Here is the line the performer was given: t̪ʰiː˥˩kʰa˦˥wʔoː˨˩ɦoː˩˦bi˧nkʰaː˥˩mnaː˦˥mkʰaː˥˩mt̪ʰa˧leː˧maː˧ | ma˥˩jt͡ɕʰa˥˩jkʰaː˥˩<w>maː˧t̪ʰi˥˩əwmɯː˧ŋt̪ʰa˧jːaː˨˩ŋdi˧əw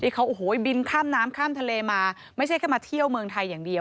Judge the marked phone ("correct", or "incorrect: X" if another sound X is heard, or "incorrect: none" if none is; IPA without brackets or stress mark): incorrect: none